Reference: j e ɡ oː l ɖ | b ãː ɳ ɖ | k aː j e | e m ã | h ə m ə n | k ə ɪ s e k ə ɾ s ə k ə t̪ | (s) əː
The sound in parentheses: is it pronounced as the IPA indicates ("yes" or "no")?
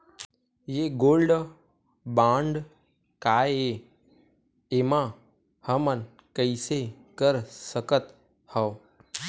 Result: no